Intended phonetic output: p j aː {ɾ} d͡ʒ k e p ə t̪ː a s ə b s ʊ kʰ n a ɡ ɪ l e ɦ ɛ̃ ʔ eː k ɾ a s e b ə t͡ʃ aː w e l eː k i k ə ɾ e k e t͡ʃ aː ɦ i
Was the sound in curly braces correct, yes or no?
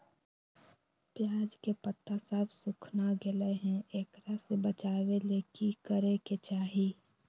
no